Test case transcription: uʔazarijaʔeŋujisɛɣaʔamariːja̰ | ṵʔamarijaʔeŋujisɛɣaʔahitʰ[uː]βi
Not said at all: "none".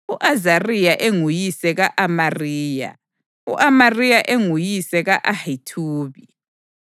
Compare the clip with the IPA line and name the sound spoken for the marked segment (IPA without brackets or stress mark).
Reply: uː